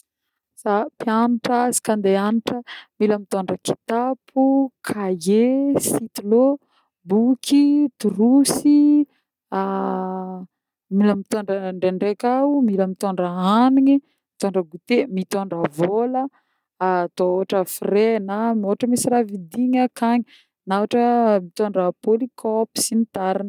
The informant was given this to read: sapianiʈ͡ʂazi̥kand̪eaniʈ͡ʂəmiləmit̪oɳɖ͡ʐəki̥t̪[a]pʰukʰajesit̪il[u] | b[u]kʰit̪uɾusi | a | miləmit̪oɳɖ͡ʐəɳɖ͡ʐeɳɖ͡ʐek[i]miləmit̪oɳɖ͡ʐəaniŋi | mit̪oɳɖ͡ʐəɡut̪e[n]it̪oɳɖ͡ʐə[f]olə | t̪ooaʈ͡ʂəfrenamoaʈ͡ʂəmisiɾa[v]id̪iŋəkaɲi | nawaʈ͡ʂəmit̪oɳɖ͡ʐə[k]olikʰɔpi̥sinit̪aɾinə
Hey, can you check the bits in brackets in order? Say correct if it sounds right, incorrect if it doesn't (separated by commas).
correct, incorrect, correct, incorrect, incorrect, incorrect, correct, incorrect